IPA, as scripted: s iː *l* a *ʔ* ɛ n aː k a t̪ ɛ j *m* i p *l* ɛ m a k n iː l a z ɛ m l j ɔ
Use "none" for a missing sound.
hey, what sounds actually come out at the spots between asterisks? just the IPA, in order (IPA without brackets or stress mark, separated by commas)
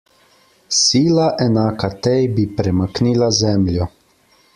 l, ʔ, b, ɾ